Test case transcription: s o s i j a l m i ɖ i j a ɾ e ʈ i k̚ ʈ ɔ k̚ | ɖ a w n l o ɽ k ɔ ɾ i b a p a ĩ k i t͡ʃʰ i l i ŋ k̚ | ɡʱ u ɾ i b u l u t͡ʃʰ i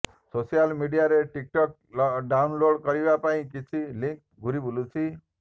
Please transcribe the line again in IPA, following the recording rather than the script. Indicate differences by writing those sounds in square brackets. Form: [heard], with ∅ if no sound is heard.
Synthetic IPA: s o s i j a l m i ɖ i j a ɾ e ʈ i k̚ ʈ ɔ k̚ | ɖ a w n l o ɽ k ɔ ɾ i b a p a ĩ k i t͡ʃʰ i l i ŋ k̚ | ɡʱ u ɾ i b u l u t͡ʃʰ i